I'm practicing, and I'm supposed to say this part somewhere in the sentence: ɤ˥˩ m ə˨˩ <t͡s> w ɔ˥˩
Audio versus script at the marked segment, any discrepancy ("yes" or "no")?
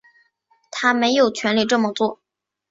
no